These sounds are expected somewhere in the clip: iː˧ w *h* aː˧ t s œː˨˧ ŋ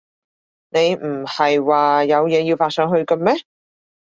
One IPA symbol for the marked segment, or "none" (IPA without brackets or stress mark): f